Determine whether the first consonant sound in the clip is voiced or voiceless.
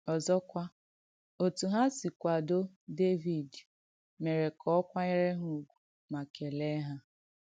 voiced